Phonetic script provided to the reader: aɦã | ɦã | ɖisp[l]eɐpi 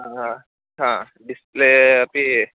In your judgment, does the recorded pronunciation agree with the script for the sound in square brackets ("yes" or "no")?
yes